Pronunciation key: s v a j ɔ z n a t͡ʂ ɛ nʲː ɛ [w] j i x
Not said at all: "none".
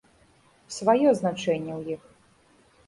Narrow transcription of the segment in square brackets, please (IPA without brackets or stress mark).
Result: w